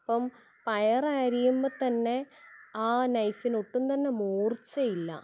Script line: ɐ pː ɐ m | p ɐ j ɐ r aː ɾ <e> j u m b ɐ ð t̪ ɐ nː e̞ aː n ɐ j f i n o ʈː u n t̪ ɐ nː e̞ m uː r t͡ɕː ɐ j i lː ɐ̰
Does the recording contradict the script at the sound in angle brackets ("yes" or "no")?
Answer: yes